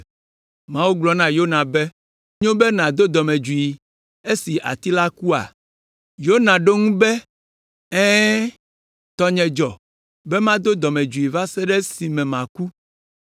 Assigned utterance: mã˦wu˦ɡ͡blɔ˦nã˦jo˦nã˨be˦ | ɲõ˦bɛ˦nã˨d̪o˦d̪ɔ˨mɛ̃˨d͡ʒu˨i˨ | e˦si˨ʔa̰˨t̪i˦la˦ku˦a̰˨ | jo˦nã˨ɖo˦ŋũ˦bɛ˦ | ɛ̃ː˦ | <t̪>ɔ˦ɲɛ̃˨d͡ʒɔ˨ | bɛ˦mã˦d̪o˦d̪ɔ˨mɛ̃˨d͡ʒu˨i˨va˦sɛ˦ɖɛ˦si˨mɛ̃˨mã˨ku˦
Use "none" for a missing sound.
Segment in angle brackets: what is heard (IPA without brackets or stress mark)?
t̪